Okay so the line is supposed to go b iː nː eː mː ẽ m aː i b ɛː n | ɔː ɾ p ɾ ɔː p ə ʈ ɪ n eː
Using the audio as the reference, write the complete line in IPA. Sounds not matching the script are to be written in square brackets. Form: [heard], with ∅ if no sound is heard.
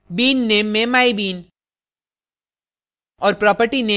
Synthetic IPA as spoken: b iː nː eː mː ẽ m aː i b [iː] n | ɔː ɾ p ɾ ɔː p ə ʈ [i] n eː